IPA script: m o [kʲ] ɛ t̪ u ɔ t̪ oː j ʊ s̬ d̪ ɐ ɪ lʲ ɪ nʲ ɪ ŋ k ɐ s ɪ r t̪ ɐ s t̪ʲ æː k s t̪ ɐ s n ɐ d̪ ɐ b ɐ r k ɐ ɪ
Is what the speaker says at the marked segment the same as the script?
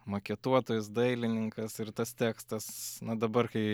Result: yes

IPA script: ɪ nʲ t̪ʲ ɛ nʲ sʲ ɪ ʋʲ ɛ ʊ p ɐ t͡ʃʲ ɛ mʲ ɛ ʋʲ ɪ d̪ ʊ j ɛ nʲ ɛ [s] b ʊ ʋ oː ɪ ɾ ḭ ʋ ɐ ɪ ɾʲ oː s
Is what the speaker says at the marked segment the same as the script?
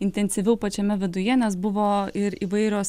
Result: yes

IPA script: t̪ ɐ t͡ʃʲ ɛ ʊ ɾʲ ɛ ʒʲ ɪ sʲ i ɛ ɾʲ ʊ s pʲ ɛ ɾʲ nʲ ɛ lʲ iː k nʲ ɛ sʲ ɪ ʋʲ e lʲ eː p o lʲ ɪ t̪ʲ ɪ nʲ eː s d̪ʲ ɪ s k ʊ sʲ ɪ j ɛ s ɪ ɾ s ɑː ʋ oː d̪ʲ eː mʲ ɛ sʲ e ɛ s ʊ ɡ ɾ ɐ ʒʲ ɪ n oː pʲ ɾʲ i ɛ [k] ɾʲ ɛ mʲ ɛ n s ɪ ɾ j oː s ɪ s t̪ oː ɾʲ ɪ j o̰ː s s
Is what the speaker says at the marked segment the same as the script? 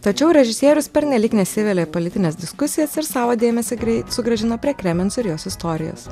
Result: yes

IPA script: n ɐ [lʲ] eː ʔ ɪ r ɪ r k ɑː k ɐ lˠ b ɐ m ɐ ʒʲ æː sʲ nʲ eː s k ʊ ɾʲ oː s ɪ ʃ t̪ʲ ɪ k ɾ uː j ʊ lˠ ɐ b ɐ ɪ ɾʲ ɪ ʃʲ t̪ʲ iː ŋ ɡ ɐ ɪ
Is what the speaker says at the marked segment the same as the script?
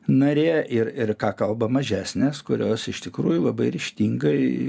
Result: no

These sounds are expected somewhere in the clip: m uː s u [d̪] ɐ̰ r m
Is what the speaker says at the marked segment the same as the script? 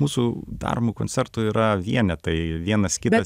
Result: yes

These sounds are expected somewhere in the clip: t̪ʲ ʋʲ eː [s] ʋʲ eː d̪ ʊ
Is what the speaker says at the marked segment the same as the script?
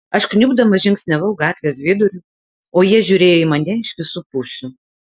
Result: yes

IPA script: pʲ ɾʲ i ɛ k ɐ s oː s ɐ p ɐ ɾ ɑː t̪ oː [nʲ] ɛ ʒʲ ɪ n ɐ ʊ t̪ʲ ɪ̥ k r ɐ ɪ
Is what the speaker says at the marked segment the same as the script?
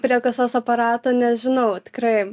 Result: yes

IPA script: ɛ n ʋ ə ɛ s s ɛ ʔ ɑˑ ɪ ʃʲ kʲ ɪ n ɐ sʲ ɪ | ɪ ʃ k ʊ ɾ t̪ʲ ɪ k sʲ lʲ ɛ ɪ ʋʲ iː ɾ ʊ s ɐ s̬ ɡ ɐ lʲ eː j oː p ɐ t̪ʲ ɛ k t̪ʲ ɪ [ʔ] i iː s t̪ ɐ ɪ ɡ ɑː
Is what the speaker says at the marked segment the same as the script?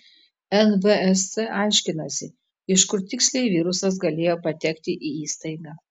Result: yes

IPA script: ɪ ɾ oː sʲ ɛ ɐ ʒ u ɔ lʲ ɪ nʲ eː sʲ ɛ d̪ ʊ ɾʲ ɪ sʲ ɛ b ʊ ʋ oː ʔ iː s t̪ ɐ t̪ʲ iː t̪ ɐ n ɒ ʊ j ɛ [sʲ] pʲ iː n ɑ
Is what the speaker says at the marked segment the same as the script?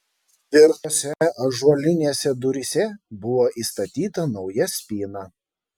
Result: yes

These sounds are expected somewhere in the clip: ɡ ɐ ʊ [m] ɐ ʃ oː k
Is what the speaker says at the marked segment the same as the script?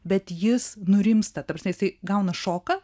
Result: no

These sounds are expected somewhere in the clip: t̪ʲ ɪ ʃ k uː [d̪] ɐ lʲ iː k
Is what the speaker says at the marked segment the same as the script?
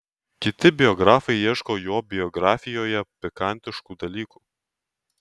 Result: yes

